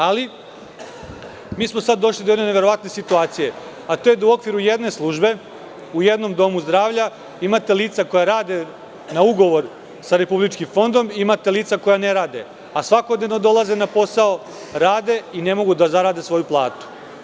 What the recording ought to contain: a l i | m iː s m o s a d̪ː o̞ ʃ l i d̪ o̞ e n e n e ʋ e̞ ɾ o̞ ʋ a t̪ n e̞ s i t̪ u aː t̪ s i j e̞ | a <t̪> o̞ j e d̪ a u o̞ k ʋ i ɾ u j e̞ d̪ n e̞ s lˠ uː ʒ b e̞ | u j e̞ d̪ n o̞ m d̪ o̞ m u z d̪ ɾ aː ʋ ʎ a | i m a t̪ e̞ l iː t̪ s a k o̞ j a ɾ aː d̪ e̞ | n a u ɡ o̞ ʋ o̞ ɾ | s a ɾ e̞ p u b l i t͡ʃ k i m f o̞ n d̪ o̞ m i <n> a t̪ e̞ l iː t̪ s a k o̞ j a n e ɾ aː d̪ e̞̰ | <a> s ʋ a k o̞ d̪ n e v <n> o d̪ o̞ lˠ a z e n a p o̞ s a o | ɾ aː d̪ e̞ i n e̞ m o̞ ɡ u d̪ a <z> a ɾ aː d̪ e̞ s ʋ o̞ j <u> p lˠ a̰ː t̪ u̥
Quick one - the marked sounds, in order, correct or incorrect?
correct, incorrect: m, correct, correct, correct, correct

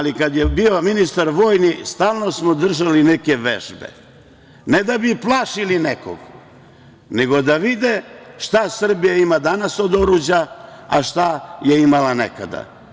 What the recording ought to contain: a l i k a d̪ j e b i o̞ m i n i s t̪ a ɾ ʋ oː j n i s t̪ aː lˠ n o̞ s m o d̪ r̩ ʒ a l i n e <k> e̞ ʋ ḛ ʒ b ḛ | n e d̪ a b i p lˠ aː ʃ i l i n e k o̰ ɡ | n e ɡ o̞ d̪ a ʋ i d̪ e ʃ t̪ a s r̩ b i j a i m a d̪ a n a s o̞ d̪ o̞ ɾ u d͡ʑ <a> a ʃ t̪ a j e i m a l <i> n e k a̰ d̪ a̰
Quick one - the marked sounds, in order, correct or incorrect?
correct, correct, incorrect: a

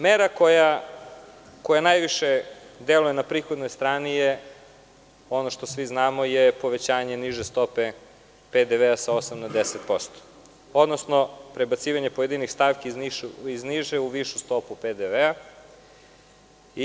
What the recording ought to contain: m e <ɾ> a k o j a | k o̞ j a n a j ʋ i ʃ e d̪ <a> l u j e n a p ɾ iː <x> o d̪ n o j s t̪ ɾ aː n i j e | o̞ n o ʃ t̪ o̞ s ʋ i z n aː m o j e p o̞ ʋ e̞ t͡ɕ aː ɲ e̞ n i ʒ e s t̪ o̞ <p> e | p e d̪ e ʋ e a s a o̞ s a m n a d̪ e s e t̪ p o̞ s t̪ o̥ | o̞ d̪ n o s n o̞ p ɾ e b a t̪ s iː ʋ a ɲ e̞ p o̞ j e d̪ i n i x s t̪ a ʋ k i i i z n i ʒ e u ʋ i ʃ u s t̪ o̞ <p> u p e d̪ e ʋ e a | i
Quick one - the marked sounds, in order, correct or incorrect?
correct, incorrect: e, correct, correct, correct

